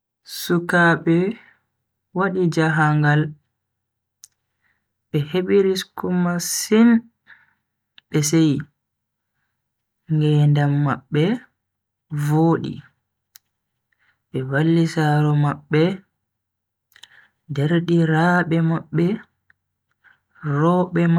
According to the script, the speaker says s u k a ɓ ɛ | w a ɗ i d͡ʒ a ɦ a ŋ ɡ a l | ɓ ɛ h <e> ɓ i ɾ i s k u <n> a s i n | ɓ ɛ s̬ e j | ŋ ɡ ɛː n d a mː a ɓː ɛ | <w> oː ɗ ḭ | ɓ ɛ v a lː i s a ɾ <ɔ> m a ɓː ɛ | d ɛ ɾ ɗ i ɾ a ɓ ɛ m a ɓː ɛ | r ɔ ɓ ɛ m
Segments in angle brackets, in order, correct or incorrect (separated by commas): correct, incorrect, incorrect, correct